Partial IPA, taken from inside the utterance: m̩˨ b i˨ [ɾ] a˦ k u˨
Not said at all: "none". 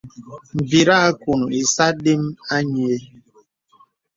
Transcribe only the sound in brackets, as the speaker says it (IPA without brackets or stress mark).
ɾ